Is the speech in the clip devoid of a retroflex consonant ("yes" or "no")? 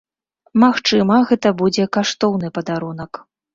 no